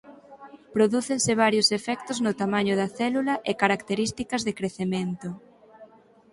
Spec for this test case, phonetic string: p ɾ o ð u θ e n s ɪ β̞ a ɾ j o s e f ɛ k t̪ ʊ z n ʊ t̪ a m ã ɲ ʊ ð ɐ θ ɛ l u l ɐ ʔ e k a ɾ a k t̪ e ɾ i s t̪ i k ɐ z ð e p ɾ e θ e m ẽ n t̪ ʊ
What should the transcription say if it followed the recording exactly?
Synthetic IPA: p ɾ o ð u θ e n s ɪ β̞ a ɾ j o s e f ɛ k t̪ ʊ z n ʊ t̪ a m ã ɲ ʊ ð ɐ θ ɛ l u l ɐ ʔ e k a ɾ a k t̪ e ɾ i s t̪ i k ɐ z ð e k ɾ e θ e m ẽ n t̪ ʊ